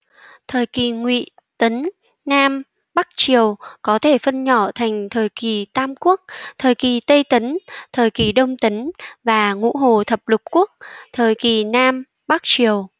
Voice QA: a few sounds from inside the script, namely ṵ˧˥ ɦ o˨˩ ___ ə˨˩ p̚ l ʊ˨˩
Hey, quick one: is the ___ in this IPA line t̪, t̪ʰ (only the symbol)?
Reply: t̪ʰ